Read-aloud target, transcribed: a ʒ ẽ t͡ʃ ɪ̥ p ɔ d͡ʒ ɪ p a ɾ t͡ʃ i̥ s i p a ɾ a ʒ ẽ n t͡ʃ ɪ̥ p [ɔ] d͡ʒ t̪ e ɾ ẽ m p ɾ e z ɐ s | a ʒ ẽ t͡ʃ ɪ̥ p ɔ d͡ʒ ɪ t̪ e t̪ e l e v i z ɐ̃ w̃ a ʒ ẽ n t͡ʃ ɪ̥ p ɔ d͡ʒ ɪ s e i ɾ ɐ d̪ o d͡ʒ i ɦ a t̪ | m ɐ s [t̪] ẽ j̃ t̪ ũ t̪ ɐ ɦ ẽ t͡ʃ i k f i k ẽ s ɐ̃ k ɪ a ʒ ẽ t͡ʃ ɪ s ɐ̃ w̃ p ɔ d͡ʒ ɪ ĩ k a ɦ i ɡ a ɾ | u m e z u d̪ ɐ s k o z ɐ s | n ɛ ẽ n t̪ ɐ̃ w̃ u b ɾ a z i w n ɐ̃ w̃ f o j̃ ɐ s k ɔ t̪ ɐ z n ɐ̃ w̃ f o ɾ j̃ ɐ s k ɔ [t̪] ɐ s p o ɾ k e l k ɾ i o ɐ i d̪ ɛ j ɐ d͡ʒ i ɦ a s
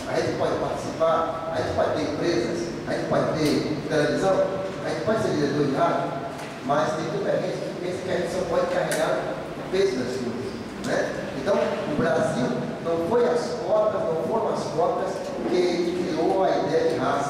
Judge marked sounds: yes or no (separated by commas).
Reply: yes, yes, yes